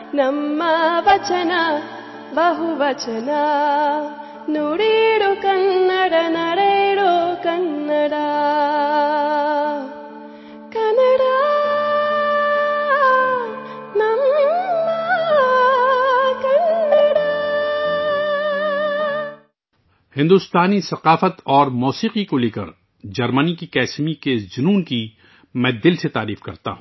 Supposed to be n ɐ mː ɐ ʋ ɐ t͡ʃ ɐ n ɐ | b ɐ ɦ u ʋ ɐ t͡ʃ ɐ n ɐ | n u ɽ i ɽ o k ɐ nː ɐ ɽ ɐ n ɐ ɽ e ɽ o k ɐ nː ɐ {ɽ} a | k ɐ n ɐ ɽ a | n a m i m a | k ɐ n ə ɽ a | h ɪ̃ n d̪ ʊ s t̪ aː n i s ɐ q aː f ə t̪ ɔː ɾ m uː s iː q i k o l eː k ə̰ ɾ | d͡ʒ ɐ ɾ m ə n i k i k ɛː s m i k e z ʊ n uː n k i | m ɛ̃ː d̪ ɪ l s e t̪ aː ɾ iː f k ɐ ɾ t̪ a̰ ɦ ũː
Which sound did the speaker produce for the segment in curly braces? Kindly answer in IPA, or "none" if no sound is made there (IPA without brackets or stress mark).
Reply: ɽ